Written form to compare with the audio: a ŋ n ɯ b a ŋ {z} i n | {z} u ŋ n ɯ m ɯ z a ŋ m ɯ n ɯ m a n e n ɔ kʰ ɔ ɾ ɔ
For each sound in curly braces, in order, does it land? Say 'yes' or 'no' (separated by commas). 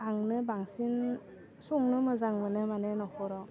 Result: no, no